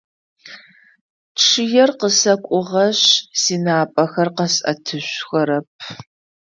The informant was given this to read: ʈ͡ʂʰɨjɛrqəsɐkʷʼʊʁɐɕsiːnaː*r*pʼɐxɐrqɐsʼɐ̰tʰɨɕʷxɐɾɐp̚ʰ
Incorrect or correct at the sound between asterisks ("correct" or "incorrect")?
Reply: incorrect